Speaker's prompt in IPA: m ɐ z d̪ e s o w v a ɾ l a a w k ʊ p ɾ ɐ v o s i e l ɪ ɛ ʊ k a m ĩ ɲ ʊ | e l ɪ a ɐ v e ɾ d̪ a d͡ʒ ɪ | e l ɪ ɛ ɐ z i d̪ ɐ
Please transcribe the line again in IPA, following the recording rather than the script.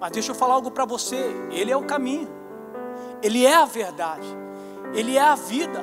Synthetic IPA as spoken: m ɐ z d̪ e ʃ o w f a l a a w ɡ ʊ p ɾ ɐ v o s e e l ɪ ɛ ʊ k a m ĩ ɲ ʊ | e l ɪ ɛ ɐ v e ɾ d̪ a d͡ʒ ɪ | e l ɪ ɛ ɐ v i d̪ ɐ